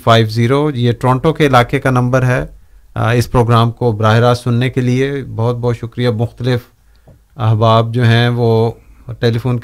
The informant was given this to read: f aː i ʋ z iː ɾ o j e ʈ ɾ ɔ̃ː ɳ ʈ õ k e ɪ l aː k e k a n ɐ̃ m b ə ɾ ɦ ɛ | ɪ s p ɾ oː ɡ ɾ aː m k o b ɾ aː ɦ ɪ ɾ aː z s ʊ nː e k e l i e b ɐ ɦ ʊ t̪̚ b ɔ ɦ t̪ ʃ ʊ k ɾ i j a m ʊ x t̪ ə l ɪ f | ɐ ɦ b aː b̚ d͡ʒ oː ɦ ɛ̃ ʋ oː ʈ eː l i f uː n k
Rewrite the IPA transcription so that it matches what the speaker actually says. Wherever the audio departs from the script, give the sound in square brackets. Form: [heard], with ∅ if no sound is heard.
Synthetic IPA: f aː [ɪ] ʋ z iː ɾ o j e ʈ ɾ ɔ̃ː ɳ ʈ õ k e ɪ l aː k e k a n ɐ̃ m b ə ɾ ɦ ɛ | ɪ s p ɾ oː ɡ ɾ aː m k o b ɾ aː ɦ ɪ ɾ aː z s ʊ nː e k e l i e b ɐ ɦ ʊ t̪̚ b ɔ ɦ t̪ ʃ ʊ k ɾ i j a m ʊ x t̪ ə l ɪ f | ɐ ɦ b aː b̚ d͡ʒ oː ɦ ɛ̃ ʋ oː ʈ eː l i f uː n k